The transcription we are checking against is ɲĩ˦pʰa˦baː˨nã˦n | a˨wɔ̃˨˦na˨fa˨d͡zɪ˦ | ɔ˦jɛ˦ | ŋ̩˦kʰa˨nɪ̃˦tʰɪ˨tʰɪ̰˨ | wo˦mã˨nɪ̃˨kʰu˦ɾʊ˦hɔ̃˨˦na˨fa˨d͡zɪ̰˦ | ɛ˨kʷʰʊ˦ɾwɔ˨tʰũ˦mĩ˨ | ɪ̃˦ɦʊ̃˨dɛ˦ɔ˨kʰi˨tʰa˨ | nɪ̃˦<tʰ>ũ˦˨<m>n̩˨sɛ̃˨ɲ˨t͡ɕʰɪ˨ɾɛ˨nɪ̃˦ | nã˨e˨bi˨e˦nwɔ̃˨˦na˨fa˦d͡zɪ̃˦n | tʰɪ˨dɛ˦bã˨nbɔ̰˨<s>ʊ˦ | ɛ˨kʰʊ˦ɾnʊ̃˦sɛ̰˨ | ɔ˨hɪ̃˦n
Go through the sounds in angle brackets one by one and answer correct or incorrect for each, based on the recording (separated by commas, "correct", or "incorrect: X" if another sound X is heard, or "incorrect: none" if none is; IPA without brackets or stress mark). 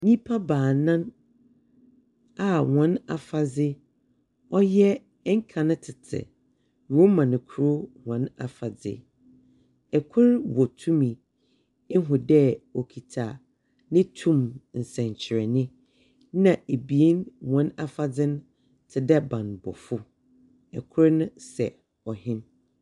correct, correct, incorrect: f